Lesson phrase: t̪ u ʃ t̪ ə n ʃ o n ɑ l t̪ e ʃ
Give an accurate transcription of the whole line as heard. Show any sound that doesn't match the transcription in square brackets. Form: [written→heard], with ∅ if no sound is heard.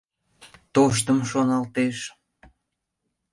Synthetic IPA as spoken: t̪ [u→o] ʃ t̪ ə [n→m] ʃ o n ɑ l t̪ e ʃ